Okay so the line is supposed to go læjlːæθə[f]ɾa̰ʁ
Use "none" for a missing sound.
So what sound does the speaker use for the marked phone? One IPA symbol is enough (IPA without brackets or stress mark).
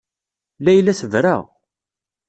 v